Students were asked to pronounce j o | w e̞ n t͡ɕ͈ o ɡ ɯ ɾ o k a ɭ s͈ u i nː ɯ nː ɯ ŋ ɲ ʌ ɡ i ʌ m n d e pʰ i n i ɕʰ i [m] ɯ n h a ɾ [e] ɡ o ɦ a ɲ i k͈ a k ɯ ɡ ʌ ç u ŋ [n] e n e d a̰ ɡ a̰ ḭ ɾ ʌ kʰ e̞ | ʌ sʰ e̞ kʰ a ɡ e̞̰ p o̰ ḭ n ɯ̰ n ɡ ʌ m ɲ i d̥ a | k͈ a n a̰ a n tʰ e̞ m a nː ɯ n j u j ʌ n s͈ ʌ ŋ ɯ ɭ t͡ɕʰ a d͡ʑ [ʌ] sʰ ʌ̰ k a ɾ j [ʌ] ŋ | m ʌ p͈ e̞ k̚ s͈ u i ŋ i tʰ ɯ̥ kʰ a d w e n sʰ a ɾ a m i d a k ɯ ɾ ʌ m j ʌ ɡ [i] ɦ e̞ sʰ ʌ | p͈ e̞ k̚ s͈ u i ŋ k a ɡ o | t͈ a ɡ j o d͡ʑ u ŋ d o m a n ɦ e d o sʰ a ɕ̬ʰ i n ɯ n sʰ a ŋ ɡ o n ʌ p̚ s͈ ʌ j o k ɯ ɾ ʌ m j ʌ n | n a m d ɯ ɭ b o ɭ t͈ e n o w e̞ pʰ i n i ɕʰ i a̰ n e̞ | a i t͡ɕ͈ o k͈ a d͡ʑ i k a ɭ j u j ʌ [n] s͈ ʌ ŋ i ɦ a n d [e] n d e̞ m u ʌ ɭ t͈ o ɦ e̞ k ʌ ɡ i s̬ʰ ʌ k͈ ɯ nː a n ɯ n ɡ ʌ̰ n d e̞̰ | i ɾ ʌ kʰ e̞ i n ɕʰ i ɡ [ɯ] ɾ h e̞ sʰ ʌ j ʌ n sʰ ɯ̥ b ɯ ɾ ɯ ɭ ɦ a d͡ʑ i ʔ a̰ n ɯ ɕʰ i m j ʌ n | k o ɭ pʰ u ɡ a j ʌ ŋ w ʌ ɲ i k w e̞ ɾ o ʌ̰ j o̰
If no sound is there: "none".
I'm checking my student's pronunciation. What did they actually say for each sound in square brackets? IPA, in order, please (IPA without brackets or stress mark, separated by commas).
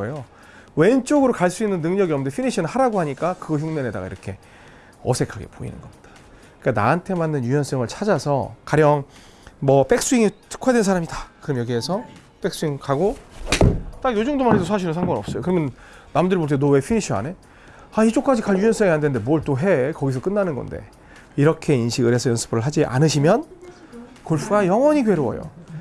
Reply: n, a, n, a, ʌ, i, n, e, ɯ